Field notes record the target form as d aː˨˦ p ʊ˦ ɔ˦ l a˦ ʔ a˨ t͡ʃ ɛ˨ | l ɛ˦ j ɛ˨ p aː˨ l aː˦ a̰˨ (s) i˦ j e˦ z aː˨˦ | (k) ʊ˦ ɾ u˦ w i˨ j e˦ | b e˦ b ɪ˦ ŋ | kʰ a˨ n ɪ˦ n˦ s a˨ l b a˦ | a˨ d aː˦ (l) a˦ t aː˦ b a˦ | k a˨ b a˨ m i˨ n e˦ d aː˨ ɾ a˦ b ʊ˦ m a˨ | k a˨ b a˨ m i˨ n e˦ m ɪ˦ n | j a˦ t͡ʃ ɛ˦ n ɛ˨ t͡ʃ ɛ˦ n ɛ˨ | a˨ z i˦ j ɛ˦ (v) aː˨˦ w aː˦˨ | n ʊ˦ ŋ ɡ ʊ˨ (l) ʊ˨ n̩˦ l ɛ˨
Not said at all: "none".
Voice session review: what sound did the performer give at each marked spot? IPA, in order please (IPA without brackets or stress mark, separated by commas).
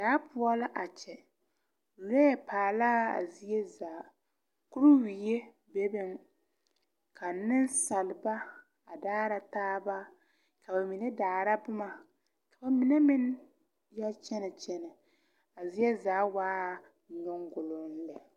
z, k, ɾ, z, l